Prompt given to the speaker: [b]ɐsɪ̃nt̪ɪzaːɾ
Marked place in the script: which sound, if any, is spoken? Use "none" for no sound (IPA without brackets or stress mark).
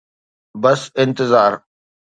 b